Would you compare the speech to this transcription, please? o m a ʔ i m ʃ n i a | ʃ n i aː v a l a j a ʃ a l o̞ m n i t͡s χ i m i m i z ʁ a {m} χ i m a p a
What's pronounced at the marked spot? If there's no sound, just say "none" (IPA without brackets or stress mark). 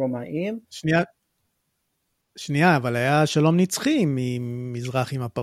none